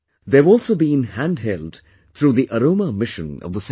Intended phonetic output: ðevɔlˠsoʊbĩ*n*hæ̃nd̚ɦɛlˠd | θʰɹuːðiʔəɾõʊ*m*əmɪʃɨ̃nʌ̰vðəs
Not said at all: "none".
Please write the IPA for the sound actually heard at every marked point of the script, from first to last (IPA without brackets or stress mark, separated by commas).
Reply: n, m